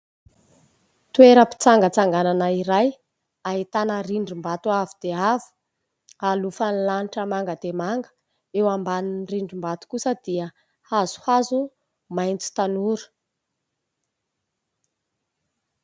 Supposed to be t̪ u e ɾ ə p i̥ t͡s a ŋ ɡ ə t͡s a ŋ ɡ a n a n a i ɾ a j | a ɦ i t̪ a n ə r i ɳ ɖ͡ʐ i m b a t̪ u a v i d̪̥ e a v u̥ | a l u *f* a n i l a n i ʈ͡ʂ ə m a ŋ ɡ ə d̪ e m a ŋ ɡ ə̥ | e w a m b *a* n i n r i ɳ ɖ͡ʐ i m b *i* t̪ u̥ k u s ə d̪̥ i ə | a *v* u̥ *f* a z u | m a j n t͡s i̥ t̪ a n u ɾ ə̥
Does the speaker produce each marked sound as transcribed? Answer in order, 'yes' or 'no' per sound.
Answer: yes, yes, no, no, no

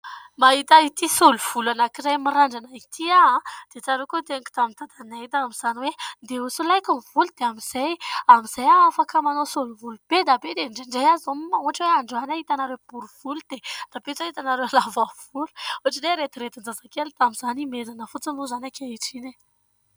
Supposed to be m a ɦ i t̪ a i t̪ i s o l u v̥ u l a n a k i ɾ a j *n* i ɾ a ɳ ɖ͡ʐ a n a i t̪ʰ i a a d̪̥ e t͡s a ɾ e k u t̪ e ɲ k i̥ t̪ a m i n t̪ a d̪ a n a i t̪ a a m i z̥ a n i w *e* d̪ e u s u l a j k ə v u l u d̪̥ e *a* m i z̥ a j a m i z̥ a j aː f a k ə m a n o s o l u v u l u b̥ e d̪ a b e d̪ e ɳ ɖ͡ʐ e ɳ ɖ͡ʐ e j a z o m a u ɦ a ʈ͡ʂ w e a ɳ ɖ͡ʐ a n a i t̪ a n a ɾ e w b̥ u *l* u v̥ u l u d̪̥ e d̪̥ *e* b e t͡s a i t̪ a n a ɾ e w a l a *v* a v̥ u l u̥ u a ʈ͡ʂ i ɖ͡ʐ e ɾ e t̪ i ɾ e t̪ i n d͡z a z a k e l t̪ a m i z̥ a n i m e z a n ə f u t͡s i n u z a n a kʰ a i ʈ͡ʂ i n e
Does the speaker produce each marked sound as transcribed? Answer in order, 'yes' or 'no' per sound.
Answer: no, yes, yes, no, no, yes

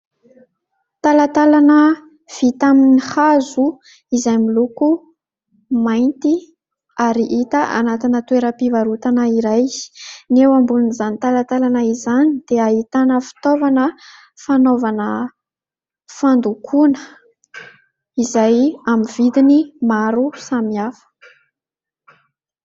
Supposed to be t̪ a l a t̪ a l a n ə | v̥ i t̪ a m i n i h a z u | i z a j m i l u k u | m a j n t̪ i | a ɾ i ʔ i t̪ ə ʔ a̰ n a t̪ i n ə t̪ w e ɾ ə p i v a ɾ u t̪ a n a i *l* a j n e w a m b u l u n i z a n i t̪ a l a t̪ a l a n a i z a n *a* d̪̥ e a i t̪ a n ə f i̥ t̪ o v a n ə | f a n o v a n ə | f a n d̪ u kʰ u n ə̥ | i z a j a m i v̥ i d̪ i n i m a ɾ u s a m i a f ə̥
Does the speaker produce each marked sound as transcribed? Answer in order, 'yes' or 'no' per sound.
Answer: no, no

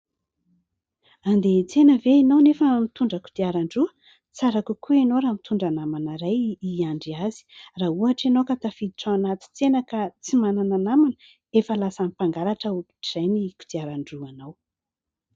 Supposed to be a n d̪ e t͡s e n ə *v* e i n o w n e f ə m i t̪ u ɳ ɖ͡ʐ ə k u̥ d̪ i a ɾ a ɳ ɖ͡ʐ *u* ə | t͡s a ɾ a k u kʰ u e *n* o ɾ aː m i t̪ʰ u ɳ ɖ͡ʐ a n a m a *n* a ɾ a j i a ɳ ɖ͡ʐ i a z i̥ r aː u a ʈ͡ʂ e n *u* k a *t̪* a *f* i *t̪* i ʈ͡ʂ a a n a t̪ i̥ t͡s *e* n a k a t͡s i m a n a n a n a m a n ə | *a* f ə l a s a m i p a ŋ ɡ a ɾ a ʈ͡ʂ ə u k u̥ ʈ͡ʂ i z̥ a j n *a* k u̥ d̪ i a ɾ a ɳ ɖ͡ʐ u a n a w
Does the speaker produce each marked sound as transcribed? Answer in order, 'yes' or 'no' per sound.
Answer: yes, yes, yes, yes, no, yes, yes, no, yes, no, no

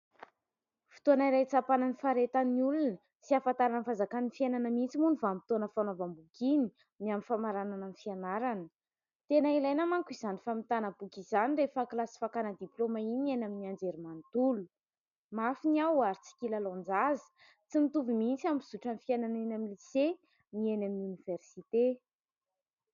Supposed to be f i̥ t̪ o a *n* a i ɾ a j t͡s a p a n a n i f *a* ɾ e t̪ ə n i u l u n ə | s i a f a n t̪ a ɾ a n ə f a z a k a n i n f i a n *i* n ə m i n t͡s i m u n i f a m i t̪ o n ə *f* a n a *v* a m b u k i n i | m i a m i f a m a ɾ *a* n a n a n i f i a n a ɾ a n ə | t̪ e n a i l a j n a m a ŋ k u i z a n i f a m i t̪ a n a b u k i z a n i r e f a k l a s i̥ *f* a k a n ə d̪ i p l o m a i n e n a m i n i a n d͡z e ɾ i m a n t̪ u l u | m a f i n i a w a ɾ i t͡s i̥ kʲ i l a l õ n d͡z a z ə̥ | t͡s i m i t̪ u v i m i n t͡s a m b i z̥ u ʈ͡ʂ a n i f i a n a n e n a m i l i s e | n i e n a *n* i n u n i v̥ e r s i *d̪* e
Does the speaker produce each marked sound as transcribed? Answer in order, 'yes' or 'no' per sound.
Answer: yes, yes, no, yes, yes, yes, yes, no, no

